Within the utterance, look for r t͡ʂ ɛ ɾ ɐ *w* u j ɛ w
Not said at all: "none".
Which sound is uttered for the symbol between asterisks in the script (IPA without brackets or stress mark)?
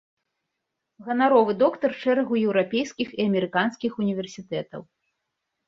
ɣ